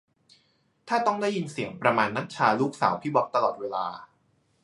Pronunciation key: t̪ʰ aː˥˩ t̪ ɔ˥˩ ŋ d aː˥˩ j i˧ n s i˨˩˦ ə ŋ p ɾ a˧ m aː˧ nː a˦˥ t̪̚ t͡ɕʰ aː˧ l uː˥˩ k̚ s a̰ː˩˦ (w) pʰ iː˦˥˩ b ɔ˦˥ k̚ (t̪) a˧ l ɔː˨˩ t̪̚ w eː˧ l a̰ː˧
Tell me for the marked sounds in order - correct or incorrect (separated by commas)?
correct, correct